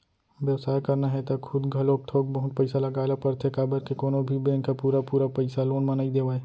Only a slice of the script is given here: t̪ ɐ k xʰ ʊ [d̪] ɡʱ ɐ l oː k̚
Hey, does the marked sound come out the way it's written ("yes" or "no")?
yes